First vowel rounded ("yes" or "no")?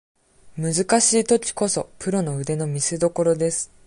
no